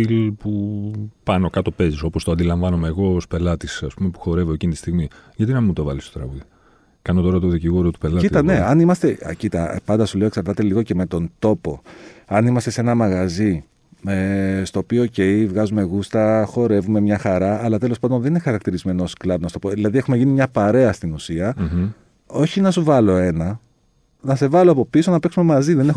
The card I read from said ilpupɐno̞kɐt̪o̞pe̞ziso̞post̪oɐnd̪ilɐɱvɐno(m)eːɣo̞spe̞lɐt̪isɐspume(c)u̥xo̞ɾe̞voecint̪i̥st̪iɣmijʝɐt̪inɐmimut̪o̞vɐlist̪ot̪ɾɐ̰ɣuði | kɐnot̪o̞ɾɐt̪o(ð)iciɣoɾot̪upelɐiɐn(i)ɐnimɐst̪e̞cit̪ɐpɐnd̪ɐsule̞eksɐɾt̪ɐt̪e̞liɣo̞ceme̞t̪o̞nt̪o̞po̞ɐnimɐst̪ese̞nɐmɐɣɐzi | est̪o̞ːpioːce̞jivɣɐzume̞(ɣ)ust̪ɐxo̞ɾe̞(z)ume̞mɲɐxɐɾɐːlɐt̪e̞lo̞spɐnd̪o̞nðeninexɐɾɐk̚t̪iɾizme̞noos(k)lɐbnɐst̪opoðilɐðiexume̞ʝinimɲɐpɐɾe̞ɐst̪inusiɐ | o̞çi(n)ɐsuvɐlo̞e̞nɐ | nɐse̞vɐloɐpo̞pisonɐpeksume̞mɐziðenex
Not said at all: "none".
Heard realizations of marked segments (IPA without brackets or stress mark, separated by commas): m, p, ð, e, ɣ, v, k, n